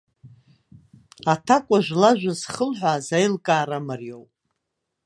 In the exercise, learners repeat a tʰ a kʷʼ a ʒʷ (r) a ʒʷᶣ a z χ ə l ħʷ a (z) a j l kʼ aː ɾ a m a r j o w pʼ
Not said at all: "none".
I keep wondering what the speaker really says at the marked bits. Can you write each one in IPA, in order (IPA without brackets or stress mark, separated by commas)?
l, z